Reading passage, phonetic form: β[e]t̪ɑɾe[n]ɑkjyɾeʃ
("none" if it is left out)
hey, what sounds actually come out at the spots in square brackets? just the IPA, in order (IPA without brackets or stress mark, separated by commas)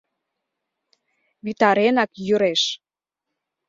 i, n